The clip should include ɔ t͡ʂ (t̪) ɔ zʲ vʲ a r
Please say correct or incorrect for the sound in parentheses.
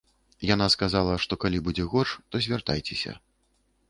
correct